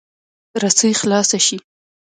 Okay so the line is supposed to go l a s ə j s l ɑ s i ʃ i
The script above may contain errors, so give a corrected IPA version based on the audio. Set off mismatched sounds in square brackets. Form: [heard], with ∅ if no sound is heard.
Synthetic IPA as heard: [ɾ] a s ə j [x] l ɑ s [a] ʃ i